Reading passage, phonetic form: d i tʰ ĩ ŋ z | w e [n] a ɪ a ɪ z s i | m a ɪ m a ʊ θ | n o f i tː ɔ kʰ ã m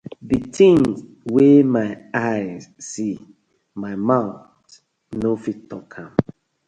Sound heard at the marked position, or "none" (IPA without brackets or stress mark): m